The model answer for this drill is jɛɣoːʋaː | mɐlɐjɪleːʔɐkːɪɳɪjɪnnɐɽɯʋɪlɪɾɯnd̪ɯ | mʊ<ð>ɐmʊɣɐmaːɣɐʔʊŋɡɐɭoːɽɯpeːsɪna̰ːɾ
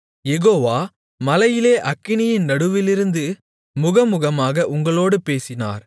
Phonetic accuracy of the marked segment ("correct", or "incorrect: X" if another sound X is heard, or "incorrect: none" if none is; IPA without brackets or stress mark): incorrect: ɣ